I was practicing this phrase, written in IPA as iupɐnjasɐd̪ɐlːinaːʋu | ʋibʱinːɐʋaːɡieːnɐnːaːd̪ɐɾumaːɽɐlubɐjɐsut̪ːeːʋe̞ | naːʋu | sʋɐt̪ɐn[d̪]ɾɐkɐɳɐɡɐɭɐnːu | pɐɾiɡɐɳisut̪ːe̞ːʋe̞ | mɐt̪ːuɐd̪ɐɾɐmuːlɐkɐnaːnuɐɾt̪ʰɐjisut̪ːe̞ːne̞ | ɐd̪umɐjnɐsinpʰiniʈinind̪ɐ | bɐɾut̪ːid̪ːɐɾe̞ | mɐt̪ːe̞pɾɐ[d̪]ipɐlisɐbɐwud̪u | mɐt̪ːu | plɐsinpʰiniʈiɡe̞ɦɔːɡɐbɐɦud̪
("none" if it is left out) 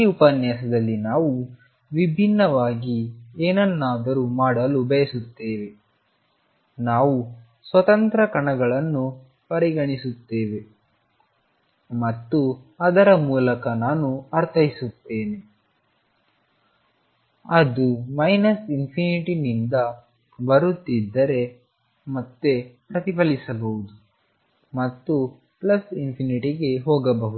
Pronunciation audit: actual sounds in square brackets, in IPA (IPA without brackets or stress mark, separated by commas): t̪, t̪